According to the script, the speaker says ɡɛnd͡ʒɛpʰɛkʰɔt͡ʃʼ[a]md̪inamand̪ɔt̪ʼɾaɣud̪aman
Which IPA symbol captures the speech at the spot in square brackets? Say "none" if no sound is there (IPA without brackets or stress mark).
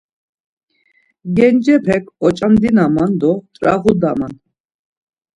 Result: a